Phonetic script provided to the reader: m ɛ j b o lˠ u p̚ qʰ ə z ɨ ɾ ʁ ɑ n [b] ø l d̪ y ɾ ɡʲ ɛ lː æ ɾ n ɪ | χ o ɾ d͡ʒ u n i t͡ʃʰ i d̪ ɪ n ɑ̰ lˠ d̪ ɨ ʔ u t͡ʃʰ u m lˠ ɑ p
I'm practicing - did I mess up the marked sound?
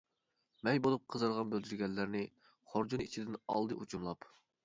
no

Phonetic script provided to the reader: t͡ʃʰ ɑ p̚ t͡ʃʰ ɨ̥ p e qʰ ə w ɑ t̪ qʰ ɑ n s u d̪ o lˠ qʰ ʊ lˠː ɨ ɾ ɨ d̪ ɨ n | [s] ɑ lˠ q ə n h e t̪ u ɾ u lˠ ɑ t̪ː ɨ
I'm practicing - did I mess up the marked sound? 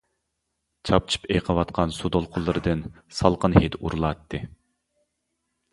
no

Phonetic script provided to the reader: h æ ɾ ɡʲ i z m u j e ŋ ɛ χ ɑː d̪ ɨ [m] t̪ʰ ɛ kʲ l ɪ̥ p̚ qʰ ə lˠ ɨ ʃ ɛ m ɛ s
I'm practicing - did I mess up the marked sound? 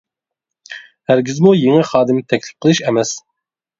no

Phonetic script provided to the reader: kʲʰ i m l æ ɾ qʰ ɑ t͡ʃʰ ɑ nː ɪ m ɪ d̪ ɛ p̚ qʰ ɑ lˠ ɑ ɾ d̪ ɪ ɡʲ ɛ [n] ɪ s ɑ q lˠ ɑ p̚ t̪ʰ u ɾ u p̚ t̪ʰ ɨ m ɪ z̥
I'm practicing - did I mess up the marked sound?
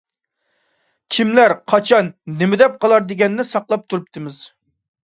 yes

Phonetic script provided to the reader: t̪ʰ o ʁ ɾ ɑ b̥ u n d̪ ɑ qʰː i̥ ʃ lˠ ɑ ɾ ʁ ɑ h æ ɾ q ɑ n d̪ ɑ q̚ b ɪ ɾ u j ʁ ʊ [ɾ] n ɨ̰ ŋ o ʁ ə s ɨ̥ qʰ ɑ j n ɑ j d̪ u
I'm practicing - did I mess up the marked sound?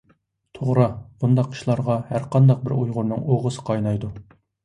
no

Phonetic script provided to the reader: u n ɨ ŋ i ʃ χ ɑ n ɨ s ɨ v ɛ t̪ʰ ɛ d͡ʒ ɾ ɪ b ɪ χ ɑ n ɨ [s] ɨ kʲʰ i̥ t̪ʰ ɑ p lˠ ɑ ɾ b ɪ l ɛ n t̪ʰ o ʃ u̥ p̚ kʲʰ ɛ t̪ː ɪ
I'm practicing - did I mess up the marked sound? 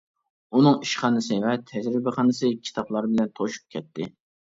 no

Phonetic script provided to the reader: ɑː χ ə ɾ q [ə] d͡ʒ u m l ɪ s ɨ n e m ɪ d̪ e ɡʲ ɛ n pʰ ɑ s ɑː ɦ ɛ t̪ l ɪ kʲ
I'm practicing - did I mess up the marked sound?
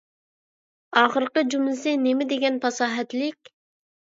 no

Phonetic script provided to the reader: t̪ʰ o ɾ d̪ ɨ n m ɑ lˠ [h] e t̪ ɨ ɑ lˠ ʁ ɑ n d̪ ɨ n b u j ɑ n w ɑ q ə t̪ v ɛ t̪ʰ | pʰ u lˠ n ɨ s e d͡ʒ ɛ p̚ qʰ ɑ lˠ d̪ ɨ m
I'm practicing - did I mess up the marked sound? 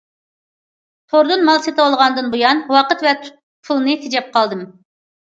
yes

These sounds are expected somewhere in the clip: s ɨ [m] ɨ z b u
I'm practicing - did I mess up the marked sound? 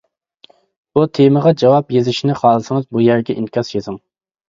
yes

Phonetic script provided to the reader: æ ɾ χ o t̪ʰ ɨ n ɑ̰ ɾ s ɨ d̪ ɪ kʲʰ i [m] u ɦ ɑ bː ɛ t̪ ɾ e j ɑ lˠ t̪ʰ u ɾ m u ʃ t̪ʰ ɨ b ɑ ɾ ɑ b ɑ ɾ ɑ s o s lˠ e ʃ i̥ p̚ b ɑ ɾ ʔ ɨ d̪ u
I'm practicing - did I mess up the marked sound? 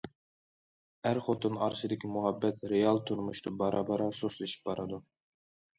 no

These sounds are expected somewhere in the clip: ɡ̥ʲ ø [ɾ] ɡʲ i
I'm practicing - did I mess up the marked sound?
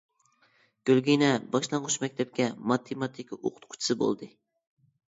yes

